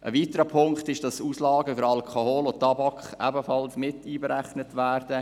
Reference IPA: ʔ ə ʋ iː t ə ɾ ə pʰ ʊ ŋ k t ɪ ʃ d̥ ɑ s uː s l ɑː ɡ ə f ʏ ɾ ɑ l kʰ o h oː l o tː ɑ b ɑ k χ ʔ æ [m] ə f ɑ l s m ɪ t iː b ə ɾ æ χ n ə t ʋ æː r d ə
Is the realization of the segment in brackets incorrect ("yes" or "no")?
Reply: yes